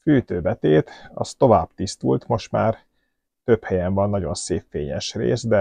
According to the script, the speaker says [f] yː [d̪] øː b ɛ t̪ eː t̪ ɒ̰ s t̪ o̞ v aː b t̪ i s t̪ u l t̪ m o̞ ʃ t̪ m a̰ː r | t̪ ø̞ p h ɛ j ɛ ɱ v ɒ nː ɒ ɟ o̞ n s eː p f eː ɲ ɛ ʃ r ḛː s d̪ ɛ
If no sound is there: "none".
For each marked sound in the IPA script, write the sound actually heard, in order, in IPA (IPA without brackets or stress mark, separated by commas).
f, t̪